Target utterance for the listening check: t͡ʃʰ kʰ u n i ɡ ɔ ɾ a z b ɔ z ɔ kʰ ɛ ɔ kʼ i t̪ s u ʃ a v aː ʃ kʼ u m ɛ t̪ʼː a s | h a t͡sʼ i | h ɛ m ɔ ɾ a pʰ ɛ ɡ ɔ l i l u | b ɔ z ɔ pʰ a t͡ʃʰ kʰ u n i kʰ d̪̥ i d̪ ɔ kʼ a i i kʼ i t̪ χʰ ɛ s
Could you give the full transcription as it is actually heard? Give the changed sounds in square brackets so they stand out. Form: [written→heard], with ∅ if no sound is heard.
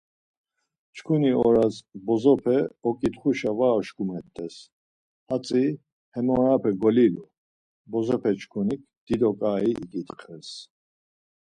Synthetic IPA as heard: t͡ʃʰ kʰ u n i [ɡ→∅] ɔ ɾ a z b ɔ z ɔ [kʰ→pʰ] ɛ ɔ kʼ i t̪ [s→χ] u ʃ a v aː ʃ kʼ u m ɛ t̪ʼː [a→ɛ] s | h a t͡sʼ i | h ɛ m ɔ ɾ a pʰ ɛ ɡ ɔ l i l u | b ɔ z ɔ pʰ [a→ɛ] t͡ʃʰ kʰ u n i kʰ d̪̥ i d̪ ɔ kʼ a i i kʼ i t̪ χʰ ɛ s